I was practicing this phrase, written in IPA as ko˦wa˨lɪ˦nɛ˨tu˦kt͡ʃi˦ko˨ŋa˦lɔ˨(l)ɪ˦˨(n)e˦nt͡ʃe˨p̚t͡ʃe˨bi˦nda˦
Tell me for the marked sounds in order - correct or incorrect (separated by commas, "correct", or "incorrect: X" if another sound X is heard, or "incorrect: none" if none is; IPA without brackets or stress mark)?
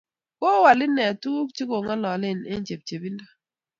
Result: correct, correct